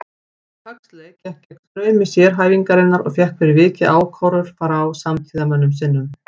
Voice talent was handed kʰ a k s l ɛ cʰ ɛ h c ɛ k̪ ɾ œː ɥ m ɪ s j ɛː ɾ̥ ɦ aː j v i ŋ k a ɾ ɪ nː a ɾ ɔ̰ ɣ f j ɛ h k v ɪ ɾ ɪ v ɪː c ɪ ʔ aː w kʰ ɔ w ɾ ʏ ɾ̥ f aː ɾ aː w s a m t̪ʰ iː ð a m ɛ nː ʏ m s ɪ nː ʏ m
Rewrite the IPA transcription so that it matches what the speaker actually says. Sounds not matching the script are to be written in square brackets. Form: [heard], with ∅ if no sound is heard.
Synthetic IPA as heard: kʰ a k s l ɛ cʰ ɛ h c ɛ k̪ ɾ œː ɥ m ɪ s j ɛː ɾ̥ ɦ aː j v i ŋ k a ɾ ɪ nː a ɾ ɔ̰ ɣ f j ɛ h k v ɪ ɾ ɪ v ɪː c ɪ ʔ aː w kʰ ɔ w ɾ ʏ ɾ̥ f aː ɾ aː w s a m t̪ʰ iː ð a m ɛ nː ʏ m s ɪ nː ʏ m